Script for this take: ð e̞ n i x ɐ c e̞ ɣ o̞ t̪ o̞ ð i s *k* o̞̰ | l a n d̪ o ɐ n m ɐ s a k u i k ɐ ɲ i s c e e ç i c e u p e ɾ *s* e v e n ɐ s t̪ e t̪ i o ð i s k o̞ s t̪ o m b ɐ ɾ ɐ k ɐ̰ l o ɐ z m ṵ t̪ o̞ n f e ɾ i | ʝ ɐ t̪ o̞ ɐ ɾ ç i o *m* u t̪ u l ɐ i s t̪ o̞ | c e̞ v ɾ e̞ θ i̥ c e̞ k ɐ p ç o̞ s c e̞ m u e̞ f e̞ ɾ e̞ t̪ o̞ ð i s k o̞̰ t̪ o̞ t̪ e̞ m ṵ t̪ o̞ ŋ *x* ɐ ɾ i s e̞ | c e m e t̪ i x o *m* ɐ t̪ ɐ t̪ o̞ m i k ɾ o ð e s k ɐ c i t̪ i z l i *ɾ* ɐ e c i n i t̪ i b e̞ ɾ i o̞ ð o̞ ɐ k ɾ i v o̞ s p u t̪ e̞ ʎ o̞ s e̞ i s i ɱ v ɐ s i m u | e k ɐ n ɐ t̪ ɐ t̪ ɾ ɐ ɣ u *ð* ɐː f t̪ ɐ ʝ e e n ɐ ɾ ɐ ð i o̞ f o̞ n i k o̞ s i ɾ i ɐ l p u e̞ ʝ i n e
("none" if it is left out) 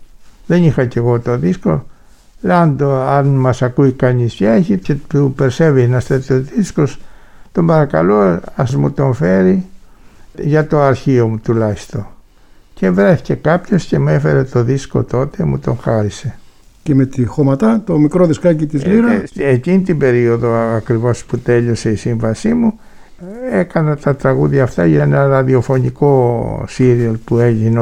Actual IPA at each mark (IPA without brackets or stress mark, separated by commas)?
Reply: k, s, m, x, m, ɾ, ð